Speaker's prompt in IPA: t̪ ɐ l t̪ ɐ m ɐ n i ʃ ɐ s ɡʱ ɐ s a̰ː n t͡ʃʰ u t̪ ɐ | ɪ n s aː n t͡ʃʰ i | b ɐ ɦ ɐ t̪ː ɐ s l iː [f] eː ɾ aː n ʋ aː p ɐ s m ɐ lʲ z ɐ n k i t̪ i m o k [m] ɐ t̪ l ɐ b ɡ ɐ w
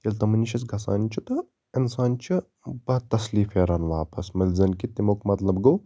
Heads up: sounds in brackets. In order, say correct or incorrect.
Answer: correct, correct

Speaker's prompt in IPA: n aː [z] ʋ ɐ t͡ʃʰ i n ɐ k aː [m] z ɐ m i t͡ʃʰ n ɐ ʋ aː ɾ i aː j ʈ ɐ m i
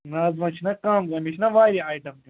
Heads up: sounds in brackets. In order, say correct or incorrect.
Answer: correct, correct

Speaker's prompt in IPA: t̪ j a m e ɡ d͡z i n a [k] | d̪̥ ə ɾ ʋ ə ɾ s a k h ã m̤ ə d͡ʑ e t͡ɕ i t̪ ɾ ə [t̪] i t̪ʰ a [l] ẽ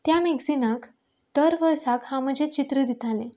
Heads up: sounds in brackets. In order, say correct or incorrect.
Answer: correct, incorrect: d̪, correct

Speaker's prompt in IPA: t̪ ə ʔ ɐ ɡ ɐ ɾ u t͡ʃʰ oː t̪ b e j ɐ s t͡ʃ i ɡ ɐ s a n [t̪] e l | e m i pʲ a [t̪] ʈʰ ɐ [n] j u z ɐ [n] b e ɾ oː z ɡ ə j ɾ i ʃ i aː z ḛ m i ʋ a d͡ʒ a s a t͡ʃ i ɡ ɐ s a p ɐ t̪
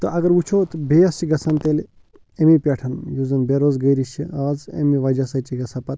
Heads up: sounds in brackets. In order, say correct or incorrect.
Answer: correct, incorrect: none, correct, correct

